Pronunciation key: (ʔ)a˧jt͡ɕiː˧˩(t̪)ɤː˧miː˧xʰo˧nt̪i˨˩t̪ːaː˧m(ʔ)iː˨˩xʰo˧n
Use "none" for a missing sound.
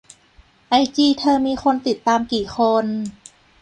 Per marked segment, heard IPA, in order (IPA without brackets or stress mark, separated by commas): ʔ, t̪ʰ, k